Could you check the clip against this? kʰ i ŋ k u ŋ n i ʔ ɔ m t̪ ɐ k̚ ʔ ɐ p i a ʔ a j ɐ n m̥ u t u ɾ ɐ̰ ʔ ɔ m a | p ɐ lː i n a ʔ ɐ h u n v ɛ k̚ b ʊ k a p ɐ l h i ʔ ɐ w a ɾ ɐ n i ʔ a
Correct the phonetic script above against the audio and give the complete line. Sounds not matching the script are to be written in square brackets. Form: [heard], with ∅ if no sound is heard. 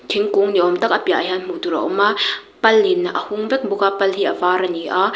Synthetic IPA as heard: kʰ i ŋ k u ŋ n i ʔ ɔ m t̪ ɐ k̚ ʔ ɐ p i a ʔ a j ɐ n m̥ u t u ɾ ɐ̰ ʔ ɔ m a | p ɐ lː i n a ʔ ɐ h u [ŋ] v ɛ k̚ b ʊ k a p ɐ l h i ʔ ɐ [v] a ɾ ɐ n i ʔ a